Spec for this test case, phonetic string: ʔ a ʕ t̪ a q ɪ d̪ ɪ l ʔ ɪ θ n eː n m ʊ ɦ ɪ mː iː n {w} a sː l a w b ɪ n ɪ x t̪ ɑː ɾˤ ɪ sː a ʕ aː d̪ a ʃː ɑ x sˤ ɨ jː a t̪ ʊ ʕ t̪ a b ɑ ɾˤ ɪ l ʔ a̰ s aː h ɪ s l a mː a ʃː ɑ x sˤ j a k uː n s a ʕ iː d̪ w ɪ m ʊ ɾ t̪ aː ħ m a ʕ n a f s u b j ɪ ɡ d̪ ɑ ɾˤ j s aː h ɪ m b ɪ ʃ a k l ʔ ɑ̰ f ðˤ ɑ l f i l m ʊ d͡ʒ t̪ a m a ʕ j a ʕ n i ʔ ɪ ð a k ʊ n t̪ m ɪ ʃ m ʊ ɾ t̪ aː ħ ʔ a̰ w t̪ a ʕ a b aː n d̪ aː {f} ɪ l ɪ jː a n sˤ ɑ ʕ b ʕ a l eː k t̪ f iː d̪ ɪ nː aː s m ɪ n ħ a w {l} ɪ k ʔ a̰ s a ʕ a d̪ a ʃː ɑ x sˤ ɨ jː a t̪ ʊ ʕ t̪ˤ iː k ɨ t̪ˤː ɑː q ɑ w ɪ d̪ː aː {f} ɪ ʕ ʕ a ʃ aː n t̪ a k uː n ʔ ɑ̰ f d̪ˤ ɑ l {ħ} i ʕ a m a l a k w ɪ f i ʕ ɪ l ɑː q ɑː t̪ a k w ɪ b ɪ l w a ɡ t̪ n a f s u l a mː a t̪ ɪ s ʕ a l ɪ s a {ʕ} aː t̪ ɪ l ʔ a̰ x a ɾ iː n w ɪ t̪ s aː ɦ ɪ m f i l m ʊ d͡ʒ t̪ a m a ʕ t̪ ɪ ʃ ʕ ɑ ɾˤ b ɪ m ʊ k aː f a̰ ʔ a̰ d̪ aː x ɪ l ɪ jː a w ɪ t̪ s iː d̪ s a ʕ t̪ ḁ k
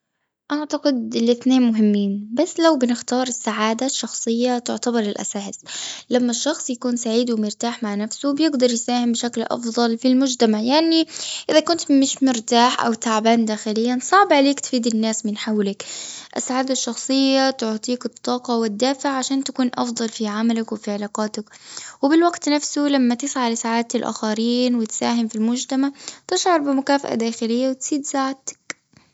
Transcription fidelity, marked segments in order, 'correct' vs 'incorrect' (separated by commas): incorrect, incorrect, correct, correct, incorrect, correct